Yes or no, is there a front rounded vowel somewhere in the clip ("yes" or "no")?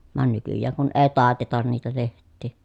yes